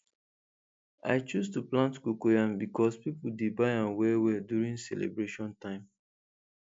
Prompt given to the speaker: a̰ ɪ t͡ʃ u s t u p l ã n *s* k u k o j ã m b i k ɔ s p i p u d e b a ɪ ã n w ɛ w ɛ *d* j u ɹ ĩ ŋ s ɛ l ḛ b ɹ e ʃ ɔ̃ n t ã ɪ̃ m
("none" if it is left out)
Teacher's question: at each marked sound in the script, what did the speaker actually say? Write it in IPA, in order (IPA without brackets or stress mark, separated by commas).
t, d